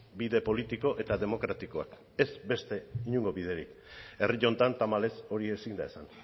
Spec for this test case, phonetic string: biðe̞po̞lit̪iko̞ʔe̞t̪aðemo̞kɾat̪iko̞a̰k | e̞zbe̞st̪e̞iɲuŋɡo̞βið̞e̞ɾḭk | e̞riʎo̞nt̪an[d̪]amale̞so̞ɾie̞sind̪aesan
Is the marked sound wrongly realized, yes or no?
yes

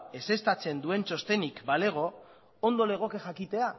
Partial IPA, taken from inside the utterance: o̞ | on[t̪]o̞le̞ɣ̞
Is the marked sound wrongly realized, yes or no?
yes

